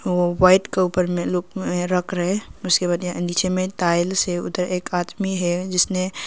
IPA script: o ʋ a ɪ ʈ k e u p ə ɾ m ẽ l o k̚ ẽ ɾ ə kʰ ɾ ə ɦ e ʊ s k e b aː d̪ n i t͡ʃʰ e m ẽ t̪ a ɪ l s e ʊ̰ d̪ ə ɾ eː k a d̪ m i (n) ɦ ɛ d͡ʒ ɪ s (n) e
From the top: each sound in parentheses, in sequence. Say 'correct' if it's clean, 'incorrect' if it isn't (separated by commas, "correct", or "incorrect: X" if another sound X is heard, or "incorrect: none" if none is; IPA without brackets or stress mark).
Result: incorrect: none, correct